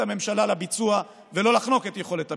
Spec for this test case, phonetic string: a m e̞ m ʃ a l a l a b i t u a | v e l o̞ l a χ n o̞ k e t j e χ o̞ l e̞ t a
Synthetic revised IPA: a m e̞ m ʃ a l a l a b i t͡s u a | v e l o̞ l a χ n o̞ k e t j e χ o̞ l e̞ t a